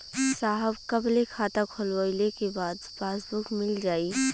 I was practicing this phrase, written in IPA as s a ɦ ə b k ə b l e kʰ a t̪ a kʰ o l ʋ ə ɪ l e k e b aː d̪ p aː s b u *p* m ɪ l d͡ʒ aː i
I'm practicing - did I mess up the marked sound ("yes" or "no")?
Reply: yes